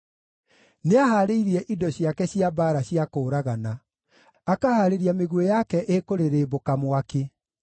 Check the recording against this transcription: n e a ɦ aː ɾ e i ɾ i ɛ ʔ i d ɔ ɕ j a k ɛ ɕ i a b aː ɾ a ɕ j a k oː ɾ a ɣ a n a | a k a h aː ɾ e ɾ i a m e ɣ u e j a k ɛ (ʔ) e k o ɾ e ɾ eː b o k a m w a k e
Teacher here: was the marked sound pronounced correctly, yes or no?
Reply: yes